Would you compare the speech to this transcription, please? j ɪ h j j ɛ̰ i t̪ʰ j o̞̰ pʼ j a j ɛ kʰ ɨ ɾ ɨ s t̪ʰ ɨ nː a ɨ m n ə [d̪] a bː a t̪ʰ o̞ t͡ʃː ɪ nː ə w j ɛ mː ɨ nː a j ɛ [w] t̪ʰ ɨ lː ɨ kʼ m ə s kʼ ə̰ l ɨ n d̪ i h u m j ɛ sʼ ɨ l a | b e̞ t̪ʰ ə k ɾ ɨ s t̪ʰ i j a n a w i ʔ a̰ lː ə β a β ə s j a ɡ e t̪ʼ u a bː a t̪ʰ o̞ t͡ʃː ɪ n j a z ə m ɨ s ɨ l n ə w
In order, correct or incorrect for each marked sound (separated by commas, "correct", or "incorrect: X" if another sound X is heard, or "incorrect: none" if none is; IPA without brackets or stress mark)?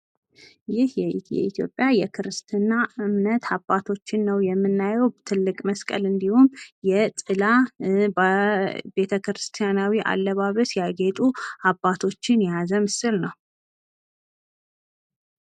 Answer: incorrect: t̪, correct